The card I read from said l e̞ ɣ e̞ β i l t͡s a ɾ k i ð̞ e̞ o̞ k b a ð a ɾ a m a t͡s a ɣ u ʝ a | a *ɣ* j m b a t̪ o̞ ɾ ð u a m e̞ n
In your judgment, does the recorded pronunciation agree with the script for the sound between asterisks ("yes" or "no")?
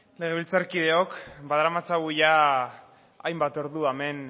no